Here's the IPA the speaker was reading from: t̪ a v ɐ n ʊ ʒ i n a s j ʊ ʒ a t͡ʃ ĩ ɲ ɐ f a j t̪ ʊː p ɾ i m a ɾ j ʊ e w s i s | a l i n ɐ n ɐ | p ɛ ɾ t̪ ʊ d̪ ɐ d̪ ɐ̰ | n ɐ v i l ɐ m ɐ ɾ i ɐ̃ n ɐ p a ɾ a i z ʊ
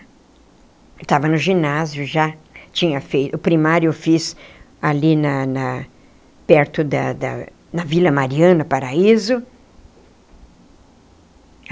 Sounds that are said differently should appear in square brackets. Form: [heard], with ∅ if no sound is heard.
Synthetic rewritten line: t̪ a v ɐ n ʊ ʒ i n a [z] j ʊ ʒ a t͡ʃ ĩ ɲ ɐ f [e] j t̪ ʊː p ɾ i m a ɾ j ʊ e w [f] i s | a l i n ɐ n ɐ | p ɛ ɾ t̪ ʊ d̪ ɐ d̪ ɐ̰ | n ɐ v i l ɐ m [a] ɾ i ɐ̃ n ɐ p a ɾ a i z ʊ

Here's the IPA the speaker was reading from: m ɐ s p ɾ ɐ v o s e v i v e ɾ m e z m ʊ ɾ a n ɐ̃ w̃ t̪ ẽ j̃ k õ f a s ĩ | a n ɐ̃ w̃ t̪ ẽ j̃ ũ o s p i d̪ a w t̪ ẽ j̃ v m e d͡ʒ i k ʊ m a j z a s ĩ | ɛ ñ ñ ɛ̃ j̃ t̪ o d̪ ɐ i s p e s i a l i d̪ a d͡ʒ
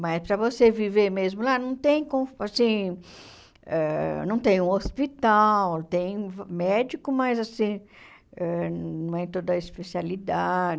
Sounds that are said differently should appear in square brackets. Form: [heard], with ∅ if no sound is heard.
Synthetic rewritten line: m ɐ s p ɾ ɐ v o s e v i v e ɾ m e z m ʊ [l] a n ɐ̃ w̃ t̪ ẽ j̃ k õ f a s ĩ | [ɛ] n ɐ̃ w̃ t̪ ẽ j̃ ũ o s p i [t̪] a w t̪ ẽ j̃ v m [ɛ] d͡ʒ i k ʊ m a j z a s ĩ | ɛ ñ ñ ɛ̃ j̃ t̪ o d̪ ɐ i s p e s i a l i d̪ a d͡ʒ

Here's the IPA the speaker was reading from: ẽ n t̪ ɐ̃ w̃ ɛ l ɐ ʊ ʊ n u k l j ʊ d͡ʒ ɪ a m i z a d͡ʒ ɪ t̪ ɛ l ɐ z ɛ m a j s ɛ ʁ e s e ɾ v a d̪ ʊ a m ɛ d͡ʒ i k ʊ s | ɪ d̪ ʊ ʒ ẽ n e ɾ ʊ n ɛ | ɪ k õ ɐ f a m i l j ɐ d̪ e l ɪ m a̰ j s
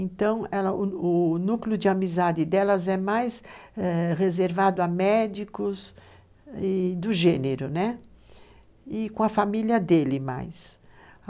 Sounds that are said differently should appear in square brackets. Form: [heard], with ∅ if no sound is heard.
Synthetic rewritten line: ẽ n t̪ ɐ̃ w̃ ɛ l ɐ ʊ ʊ n u k l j ʊ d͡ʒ ɪ a m i z a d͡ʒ ɪ [d̪] ɛ l ɐ z ɛ m a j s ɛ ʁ e [z] e ɾ v a d̪ ʊ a m ɛ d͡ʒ i k ʊ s | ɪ d̪ ʊ ʒ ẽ n e ɾ ʊ n ɛ | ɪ k õ ɐ f a m i l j ɐ d̪ e l ɪ m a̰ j s

